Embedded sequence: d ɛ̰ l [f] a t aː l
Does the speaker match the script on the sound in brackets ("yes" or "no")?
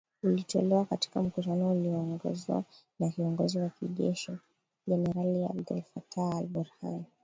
yes